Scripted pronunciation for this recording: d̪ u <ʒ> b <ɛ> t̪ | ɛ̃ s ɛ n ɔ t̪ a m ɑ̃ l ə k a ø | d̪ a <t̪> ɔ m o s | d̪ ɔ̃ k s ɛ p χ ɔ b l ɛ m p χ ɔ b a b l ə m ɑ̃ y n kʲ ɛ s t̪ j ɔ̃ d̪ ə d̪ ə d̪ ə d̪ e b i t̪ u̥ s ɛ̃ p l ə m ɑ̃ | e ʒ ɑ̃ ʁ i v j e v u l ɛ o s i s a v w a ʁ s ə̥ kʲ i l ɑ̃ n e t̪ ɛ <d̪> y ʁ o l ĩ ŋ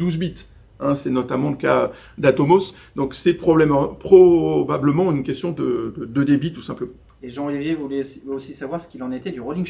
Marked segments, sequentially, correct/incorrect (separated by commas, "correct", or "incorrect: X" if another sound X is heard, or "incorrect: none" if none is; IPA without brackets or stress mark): incorrect: z, incorrect: i, correct, correct